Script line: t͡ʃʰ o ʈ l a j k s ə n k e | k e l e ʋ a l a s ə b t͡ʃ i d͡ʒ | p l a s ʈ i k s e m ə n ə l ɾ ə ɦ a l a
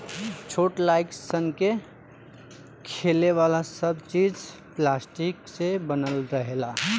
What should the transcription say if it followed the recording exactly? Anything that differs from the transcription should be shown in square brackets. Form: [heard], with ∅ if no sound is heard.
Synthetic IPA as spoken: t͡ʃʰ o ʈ l a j k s ə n k e | [kʰ] e l e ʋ a l a s ə b t͡ʃ i d͡ʒ | p l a s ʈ i k s e [b] ə n ə l ɾ ə ɦ [e] l a